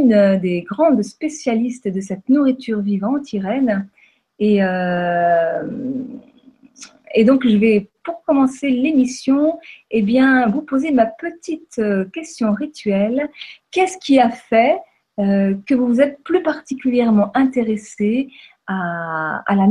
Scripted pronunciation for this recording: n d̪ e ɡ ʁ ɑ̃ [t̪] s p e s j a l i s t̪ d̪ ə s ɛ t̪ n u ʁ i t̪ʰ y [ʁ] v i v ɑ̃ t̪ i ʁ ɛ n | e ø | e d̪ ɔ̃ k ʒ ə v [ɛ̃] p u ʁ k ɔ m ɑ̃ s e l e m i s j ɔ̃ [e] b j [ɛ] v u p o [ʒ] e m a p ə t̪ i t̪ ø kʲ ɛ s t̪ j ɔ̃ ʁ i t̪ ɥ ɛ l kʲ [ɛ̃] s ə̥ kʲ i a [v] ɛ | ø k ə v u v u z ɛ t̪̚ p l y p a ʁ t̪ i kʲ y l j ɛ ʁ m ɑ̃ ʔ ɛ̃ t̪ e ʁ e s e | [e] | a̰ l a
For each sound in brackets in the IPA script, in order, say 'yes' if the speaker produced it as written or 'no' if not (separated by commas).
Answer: no, yes, no, yes, no, no, no, no, no